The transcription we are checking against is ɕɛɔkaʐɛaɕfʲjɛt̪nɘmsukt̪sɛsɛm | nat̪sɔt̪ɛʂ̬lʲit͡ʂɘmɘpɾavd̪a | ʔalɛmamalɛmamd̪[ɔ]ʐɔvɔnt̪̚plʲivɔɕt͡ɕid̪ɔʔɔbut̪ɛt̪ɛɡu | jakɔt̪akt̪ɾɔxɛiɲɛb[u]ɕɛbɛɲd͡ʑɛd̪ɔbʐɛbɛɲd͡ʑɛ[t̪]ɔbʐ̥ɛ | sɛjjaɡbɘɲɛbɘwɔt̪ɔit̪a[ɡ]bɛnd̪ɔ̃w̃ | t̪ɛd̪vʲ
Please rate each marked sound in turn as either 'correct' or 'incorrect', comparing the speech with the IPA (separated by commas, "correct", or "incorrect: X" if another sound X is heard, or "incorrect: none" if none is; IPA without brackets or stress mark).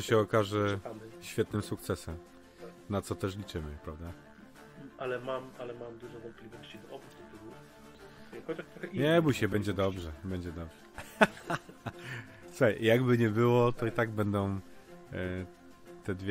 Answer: incorrect: u, correct, incorrect: d̪, correct